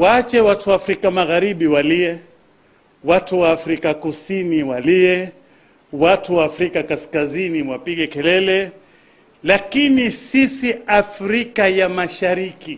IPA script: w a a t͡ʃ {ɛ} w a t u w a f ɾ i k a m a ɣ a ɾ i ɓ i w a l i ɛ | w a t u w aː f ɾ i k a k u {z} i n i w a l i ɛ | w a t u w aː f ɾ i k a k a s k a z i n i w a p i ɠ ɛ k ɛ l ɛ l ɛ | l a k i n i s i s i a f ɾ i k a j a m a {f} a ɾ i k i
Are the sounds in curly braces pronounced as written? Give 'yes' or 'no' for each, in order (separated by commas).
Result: yes, no, no